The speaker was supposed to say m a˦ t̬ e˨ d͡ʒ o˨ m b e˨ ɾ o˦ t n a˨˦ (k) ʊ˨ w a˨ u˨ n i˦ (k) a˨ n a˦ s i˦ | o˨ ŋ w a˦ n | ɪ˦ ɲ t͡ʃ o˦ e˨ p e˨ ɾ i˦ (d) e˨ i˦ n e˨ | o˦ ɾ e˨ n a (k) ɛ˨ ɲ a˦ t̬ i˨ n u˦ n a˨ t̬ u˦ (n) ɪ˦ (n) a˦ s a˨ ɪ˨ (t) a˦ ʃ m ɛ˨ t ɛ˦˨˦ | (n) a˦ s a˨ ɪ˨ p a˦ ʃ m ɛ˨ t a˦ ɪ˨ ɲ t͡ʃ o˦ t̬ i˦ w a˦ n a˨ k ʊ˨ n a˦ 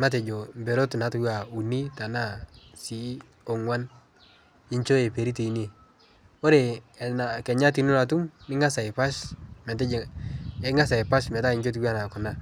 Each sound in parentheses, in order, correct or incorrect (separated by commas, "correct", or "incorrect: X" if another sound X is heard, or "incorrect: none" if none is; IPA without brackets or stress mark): incorrect: t, incorrect: t, incorrect: t, correct, incorrect: m, incorrect: ŋ, incorrect: p, incorrect: ŋ